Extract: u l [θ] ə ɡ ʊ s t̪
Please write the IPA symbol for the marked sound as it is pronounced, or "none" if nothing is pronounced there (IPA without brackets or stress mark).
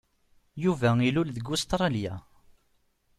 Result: ð